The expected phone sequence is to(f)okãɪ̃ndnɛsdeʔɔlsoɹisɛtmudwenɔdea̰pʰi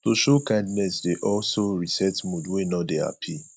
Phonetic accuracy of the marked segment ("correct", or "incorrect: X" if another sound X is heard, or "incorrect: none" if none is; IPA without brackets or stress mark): incorrect: ʃ